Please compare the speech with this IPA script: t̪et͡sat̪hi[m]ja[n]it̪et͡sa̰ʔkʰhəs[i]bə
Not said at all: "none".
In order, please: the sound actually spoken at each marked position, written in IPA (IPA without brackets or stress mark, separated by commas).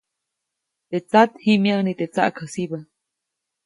m, n, i